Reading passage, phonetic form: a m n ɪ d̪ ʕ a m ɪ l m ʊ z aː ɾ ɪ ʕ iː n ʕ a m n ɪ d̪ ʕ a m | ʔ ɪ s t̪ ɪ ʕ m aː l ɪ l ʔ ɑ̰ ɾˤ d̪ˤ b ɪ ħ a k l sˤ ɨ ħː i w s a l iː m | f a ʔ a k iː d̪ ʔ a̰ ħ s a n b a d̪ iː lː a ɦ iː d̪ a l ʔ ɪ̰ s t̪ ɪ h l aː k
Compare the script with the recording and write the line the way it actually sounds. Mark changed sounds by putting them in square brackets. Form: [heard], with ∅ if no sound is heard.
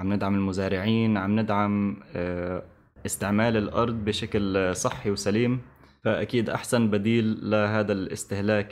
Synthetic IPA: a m n ɪ d̪ ʕ a m ɪ l m ʊ z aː ɾ ɪ ʕ iː n ʕ a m n ɪ d̪ ʕ a m | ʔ ɪ s t̪ ɪ ʕ m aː l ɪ l ʔ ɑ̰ ɾˤ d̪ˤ b ɪ [ʃ] a k l sˤ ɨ ħː i w s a l iː m | f a ʔ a k iː d̪ ʔ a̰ ħ s a n b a d̪ iː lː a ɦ [aː] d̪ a l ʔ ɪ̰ s t̪ ɪ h l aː k